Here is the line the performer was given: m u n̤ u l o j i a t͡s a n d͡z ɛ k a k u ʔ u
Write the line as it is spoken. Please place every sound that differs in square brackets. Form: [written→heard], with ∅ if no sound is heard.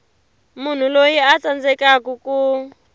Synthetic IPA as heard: m u n̤ u l o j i a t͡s a n d͡z ɛ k a k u [ʔ→k] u